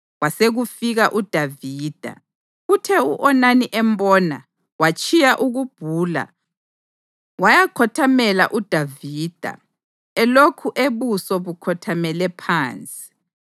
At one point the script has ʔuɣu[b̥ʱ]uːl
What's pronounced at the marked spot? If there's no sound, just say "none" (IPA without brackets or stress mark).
b̥ʱ